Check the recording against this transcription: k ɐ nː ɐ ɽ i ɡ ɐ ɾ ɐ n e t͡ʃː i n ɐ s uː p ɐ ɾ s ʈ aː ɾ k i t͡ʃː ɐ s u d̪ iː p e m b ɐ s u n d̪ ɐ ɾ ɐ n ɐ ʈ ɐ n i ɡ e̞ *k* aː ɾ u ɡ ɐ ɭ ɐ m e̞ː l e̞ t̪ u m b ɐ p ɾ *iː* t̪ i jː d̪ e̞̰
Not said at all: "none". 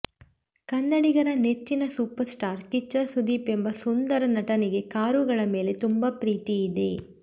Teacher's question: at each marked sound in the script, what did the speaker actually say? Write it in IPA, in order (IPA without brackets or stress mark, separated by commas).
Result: k, iː